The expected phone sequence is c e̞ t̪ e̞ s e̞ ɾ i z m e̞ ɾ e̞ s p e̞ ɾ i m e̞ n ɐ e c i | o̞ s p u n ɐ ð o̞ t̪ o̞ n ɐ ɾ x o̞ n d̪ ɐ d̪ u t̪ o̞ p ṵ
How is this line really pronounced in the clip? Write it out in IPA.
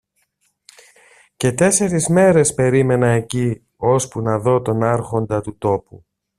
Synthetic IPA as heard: c e̞ t̪ e̞ s e̞ ɾ i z m e̞ ɾ e̞ s p e̞ ɾ i m e̞ n ɐ e c i | o̞ s p u n ɐ ð o̞ t̪ o̞ n ɐ ɾ x o̞ n d̪ ɐ t̪ u t̪ o̞ p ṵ